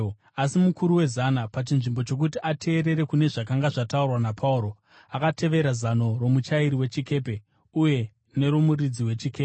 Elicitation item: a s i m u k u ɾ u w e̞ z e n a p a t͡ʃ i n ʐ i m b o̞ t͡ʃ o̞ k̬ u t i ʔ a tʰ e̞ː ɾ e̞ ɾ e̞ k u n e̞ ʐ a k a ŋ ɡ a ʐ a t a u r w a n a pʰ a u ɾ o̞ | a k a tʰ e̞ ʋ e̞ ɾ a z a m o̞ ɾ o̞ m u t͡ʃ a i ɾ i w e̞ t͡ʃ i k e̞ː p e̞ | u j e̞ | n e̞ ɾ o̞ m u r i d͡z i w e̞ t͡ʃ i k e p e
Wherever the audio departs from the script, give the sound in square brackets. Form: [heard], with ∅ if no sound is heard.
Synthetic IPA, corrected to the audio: a s i m u k u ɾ u w e̞ z [a] n a p a t͡ʃ i n ʐ i m b o̞ t͡ʃ o̞ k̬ u t i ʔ a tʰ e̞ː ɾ e̞ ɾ e̞ k u n e̞ ʐ a k a ŋ ɡ a ʐ a t a u r w a n a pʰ a u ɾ o̞ | a k a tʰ e̞ ʋ e̞ ɾ a z a [n] o̞ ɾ o̞ m u t͡ʃ a i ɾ i w e̞ t͡ʃ i k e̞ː p e̞ | u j e̞ | n e̞ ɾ o̞ m u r i d͡z i w e̞ t͡ʃ i k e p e